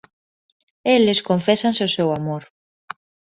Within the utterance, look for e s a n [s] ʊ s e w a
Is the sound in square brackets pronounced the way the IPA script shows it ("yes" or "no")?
yes